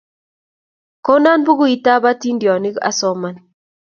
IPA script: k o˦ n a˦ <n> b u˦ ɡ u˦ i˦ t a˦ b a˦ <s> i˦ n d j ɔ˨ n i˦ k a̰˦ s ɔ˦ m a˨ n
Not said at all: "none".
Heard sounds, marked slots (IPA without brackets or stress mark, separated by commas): n, t